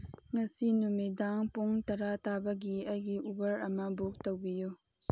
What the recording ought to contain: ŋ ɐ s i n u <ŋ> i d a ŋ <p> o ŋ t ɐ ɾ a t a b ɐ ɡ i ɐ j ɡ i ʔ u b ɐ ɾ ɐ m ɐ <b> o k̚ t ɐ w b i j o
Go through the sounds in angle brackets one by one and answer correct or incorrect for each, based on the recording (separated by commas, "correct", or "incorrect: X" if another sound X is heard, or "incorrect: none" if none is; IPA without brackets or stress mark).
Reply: incorrect: m, correct, correct